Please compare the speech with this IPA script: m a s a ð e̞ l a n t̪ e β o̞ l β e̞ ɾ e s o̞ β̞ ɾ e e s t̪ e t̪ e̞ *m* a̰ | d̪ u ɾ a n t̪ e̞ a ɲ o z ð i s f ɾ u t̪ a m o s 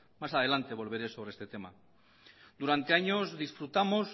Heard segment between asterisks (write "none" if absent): m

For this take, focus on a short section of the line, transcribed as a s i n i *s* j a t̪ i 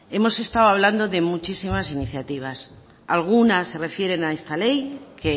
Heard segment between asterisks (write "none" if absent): θ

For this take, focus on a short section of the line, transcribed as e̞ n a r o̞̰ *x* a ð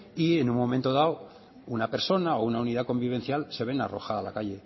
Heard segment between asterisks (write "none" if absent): x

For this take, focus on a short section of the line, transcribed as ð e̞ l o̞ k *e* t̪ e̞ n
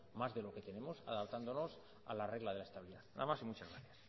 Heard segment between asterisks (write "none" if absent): e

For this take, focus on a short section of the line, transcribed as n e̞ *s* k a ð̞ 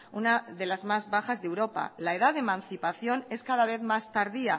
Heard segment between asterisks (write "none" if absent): s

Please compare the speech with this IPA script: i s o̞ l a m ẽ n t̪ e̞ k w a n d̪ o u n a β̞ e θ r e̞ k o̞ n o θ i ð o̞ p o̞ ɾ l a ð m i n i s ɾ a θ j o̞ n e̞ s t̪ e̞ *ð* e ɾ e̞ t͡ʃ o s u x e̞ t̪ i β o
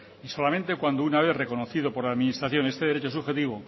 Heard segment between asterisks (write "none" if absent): ð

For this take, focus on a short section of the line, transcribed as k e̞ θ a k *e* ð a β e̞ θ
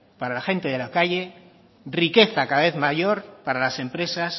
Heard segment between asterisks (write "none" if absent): a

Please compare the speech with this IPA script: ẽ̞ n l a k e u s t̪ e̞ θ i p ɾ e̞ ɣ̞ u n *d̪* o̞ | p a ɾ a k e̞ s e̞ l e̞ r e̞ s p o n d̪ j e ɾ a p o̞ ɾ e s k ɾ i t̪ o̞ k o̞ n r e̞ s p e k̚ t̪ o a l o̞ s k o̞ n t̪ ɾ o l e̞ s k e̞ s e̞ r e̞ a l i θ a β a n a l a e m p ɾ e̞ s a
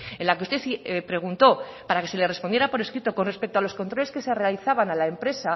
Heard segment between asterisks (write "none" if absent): t̪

